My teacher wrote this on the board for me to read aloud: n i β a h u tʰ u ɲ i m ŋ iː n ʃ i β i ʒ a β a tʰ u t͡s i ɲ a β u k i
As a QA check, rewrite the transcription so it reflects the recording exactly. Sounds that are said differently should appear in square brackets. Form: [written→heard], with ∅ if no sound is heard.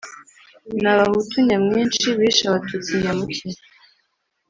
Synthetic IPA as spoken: n [i→a] β a h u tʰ u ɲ [i→a] m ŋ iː n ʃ i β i [ʒ→ʃ] a β a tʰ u t͡s i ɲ a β u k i